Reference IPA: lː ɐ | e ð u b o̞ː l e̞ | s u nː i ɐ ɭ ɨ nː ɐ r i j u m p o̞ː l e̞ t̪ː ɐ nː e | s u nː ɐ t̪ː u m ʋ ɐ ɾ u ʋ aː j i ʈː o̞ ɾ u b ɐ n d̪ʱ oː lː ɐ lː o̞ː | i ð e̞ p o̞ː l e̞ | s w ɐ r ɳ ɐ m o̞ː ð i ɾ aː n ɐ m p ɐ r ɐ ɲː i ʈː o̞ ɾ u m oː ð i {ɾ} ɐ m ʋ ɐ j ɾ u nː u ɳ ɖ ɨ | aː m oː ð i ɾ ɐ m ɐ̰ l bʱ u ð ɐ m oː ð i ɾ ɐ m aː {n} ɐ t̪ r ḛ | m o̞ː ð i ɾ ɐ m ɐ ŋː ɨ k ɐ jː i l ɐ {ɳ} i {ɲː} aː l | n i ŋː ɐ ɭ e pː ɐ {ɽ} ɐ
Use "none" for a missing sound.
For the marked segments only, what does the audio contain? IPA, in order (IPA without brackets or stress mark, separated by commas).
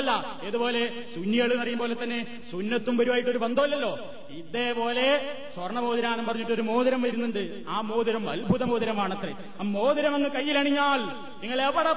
ɾ, ɳ, ɳ, ɲː, ɽ